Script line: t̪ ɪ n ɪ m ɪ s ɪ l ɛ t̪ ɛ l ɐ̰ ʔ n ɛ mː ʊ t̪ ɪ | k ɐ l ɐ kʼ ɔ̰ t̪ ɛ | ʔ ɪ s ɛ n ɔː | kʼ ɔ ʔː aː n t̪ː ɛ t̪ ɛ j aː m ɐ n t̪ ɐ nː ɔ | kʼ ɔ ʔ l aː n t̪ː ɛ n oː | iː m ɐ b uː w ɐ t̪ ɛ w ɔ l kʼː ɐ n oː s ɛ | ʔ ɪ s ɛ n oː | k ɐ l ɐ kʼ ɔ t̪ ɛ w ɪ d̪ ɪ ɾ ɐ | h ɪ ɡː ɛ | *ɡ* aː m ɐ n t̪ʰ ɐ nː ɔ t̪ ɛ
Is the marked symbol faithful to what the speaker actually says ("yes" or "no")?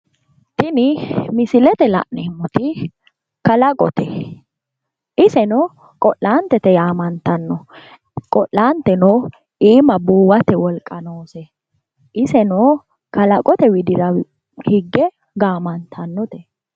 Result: yes